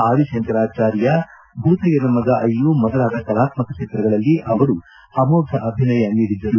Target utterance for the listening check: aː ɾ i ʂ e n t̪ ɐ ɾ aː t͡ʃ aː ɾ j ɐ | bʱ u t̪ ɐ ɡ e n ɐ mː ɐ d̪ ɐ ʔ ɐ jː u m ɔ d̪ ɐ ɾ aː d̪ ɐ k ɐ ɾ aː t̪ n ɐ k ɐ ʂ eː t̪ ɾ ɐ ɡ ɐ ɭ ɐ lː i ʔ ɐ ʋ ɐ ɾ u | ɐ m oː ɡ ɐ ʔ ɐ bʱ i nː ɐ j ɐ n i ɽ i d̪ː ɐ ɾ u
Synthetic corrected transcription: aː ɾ i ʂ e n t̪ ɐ ɾ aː t͡ʃ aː ɾ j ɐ | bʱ u t̪ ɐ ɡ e n ɐ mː ɐ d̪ ɐ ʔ ɐ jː u m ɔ d̪ ɐ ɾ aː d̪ ɐ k ɐ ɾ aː t̪ m ɐ k ɐ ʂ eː t̪ ɾ ɐ ɡ ɐ ɭ ɐ lː i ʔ ɐ ʋ ɐ ɾ u | ɐ m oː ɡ ɐ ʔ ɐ bʱ i n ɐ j ɐ n iː ɽ i d̪ː ɐ ɾ u